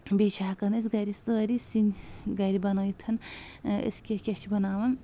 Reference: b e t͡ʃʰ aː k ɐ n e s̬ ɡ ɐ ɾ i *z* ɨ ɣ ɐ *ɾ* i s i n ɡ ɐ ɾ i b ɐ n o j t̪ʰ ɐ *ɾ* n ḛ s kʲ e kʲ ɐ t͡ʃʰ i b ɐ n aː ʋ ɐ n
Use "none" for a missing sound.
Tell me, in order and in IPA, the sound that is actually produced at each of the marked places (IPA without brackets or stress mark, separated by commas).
s, ɾ, none